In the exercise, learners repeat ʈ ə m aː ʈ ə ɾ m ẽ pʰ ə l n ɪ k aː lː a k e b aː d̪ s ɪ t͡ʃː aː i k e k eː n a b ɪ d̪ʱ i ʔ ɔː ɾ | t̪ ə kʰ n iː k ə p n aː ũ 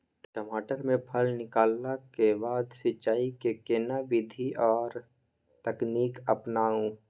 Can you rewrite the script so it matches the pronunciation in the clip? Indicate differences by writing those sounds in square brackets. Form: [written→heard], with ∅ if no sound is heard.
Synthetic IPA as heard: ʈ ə m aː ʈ ə ɾ m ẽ pʰ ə l n ɪ k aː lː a k e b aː d̪ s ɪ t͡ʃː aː i k e k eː n a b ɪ d̪ʱ i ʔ ɔː ɾ | t̪ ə [kʰ→k] n iː k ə p n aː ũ